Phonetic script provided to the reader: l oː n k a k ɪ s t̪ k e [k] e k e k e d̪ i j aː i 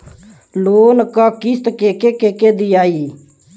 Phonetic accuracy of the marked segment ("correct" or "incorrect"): correct